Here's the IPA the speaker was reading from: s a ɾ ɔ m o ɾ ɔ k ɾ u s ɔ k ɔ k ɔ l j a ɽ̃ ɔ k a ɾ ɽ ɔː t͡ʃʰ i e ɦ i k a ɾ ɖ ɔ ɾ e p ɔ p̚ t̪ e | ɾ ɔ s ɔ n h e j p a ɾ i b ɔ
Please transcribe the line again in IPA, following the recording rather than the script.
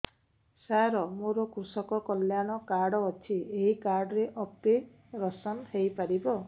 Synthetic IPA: s a ɾ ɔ m o ɾ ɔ k ɾ u s ɔ k ɔ k ɔ l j a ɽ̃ ɔ k a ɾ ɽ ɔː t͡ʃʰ i e ɦ i k a ɾ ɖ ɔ ɾ e ʔ ɔ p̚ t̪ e | ɾ ɔ s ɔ n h e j p a ɾ i b ɔ